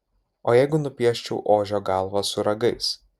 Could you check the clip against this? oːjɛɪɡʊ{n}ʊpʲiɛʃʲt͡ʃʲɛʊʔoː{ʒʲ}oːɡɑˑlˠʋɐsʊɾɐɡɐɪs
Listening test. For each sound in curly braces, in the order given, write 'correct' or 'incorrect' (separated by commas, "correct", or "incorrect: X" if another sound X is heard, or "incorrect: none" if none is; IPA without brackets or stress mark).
correct, correct